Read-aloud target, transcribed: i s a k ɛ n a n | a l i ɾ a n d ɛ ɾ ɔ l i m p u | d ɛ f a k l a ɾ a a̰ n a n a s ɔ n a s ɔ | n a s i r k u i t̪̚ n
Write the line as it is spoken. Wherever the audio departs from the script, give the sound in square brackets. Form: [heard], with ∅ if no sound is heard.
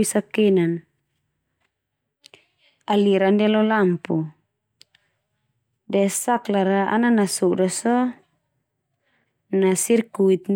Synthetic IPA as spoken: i s a k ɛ n a n | a l i ɾ a n d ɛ [l] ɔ l [a] m p u | d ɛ [s] a k l a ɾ a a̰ n a n a s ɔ [d] a s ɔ | n a s i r k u i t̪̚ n